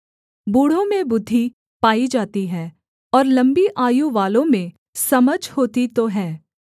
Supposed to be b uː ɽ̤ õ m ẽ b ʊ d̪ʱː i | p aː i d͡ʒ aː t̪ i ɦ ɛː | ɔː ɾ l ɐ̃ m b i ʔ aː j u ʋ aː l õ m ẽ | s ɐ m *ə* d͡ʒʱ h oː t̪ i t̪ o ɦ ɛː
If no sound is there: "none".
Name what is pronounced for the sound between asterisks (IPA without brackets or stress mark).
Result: ə